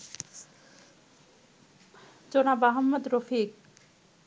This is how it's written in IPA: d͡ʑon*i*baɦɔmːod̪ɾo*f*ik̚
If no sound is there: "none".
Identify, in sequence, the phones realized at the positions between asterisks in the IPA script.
a, f

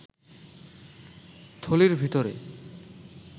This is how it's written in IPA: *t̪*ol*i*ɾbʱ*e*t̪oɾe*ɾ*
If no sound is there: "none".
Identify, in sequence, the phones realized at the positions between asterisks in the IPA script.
t̪ʰ, i, i, none

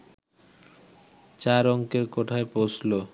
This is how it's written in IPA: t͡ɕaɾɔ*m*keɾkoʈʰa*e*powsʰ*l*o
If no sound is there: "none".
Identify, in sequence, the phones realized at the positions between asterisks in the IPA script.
ŋ, e, l

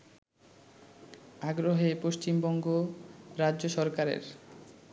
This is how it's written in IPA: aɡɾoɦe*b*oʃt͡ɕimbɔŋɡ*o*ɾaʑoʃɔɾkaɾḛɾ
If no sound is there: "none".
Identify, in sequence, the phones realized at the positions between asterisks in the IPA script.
p, o

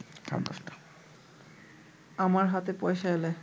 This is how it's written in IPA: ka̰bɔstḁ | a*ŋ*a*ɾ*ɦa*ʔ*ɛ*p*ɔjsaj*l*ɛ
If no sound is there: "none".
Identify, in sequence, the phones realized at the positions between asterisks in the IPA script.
m, ɹ, t, p, l

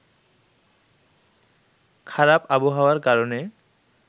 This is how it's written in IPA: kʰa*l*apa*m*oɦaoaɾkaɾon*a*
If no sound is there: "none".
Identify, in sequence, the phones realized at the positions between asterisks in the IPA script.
ɾ, b, e

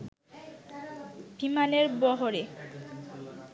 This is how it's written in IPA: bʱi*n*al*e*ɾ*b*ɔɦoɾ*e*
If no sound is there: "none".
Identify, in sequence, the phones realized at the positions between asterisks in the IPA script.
m, e, b, e

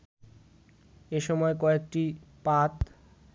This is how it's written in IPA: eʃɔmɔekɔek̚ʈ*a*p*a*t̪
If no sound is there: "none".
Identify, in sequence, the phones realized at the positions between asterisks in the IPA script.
i, a

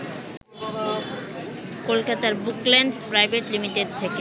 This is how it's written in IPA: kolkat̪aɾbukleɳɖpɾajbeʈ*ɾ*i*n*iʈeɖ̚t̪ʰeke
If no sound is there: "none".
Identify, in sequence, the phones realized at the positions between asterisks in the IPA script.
l, m

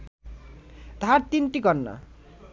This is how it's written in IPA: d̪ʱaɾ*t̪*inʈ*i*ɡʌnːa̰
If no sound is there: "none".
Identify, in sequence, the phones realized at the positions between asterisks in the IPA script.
t̪, i

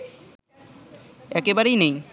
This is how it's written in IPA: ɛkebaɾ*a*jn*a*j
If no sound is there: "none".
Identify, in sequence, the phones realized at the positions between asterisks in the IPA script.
e, e

